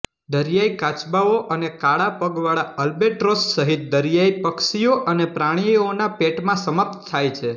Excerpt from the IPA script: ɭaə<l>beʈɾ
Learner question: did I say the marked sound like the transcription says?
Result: yes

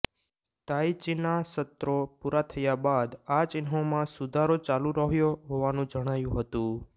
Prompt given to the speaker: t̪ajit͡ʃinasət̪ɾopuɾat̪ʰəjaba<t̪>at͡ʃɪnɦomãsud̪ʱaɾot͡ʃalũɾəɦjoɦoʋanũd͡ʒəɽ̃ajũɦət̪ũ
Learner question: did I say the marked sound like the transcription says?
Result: no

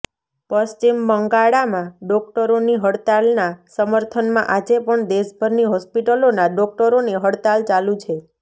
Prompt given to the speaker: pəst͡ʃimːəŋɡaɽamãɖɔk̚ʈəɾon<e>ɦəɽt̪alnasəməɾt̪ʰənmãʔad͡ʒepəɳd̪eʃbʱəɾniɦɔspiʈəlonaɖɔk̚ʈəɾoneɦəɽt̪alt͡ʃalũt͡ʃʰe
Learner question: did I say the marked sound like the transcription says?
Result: no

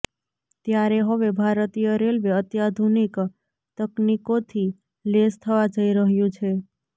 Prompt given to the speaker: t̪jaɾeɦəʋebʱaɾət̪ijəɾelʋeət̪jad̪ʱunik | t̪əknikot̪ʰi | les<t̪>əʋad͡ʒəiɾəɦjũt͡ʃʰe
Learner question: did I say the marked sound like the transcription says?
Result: no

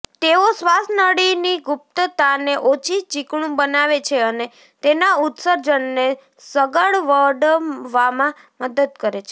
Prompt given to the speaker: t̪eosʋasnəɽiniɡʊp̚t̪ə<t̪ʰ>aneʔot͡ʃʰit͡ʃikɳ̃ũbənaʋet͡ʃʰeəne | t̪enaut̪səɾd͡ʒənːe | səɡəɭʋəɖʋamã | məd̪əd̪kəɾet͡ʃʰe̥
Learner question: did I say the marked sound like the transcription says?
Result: no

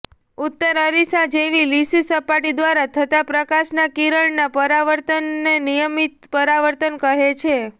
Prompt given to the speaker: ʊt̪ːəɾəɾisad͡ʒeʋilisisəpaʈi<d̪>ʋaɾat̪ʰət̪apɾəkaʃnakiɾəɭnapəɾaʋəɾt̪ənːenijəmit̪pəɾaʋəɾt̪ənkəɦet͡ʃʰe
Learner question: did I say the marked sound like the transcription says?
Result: yes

